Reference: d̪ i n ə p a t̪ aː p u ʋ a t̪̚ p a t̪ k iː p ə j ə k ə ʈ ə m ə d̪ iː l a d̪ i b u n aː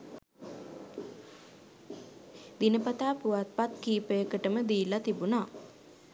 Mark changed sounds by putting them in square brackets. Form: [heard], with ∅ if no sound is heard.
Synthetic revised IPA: d̪ i n ə p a t̪ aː p u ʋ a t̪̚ p a t̪ k iː p ə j ə k ə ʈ ə m ə d̪ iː l a [t̪] i b u n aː